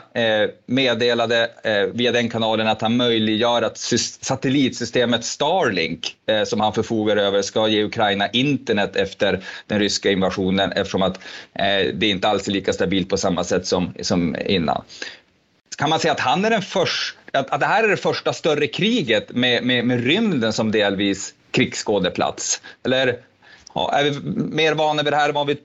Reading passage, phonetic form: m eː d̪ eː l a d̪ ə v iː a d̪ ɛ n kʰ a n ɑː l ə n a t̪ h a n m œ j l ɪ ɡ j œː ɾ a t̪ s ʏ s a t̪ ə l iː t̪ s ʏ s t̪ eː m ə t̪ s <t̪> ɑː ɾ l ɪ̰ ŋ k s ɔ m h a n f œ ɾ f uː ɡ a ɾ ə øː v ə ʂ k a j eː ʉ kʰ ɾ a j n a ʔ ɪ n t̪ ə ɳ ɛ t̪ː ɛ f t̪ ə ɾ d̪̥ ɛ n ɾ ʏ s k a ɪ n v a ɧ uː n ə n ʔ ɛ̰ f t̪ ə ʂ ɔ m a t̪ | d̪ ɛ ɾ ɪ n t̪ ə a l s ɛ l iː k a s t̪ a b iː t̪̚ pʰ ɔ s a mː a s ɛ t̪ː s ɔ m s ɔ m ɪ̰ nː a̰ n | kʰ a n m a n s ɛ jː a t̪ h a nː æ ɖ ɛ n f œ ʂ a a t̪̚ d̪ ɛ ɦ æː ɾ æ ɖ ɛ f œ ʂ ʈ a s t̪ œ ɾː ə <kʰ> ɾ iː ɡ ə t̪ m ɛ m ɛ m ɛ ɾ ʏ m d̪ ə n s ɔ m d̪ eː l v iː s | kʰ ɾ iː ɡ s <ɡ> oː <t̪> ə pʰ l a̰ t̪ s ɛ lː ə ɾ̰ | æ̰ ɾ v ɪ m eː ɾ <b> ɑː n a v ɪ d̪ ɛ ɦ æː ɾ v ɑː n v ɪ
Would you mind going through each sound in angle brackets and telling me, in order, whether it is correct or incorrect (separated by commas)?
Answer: correct, correct, incorrect, incorrect, incorrect